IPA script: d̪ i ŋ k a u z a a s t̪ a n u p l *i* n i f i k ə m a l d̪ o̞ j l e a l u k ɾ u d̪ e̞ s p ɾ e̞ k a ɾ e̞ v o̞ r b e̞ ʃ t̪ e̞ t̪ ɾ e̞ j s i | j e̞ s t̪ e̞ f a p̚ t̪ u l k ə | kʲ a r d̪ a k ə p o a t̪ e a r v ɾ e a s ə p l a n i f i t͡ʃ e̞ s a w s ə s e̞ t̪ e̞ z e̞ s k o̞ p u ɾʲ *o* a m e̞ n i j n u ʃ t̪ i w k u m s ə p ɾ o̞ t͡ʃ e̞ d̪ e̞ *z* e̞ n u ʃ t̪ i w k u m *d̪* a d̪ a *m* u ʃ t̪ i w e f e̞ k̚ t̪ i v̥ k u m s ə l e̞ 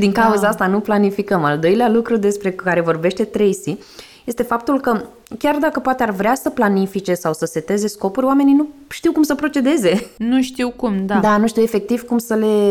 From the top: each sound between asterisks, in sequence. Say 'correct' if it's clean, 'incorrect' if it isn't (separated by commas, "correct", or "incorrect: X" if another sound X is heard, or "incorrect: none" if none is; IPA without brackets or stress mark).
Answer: incorrect: a, correct, correct, correct, incorrect: n